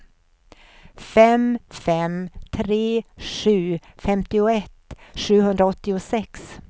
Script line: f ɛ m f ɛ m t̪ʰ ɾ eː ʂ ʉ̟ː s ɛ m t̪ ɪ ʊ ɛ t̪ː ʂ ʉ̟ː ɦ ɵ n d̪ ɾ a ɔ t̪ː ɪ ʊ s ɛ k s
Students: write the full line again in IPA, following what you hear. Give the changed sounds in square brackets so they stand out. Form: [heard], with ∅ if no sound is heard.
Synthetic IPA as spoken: f ɛ m f ɛ m t̪ʰ ɾ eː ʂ ʉ̟ː [f] ɛ m t̪ ɪ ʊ ɛ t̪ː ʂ ʉ̟ː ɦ ɵ n d̪ ɾ a ɔ t̪ː ɪ ʊ s ɛ k s